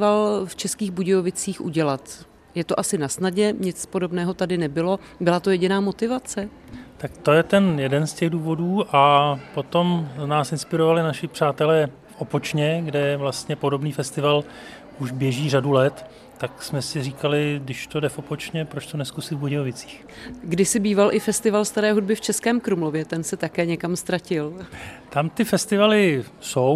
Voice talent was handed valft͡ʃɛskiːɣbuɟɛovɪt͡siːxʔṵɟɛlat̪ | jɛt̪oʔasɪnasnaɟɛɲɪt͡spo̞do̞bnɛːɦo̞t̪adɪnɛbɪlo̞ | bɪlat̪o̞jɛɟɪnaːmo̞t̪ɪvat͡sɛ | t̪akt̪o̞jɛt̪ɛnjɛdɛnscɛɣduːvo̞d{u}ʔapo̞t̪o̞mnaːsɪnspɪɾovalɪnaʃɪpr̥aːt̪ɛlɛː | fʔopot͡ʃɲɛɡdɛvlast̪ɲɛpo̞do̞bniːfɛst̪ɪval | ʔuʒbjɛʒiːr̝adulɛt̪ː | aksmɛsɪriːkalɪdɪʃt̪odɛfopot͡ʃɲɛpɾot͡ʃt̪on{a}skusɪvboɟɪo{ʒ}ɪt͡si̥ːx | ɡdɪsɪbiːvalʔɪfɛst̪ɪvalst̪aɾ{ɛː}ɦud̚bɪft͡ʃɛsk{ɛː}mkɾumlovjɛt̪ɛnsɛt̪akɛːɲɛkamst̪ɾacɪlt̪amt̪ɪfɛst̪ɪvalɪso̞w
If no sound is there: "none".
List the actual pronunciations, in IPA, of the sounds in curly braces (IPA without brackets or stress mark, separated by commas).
uː, ɛ, v, ɛː, ɛː